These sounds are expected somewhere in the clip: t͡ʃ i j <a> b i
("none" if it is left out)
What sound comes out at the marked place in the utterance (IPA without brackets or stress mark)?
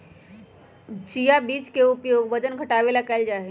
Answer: a